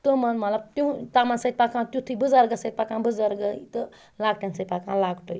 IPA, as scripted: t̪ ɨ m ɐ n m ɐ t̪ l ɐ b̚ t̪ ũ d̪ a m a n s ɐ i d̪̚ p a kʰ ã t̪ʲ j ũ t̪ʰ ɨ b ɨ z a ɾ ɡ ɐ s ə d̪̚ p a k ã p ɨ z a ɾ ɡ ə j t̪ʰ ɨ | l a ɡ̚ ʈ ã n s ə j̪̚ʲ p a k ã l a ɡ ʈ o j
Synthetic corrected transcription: t̪ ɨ m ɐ n m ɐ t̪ l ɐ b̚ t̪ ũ t̪ a m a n s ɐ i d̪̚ p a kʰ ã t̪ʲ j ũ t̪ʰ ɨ b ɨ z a ɾ ɡ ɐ s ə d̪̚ p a k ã b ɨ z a ɾ ɡ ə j t̪ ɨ | l a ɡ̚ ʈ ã n s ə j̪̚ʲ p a k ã l a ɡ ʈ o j